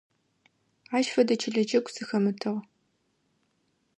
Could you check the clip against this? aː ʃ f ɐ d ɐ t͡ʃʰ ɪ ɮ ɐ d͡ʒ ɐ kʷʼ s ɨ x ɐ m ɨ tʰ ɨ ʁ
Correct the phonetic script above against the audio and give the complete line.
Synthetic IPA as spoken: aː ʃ f ɐ d ɐ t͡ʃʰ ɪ ɮ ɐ d͡ʒ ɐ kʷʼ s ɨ x ɐ m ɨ tʰ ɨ ʁ